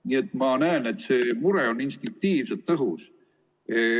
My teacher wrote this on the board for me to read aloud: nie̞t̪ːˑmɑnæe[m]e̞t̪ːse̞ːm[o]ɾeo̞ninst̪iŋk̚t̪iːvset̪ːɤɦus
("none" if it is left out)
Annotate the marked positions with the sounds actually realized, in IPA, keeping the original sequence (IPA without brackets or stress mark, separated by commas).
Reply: n, u